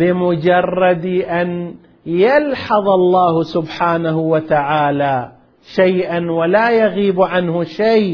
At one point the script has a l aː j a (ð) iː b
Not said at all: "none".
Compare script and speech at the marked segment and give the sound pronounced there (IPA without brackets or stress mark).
ɣ